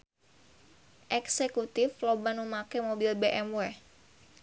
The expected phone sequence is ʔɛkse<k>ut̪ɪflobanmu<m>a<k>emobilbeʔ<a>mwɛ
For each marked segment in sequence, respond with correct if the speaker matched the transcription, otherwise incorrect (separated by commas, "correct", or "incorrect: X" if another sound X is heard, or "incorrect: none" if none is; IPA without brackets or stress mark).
correct, correct, correct, incorrect: ɛ